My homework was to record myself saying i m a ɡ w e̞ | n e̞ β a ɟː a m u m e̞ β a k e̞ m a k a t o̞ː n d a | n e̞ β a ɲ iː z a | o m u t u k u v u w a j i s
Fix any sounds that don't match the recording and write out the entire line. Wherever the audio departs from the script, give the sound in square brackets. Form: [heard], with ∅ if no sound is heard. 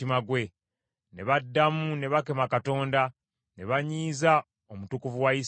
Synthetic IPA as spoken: i m a ɡ w e̞ | n e̞ β a [dː] a m u [n] e̞ β a k e̞ m a k a t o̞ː n d a | n e̞ β a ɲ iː z a | o m u t u k u v u w a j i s